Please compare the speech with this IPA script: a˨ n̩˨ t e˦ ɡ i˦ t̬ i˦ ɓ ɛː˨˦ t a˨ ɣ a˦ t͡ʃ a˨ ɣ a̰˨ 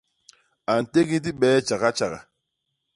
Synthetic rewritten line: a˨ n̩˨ t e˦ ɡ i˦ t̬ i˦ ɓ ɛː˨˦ t͡ʃ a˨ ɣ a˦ t͡ʃ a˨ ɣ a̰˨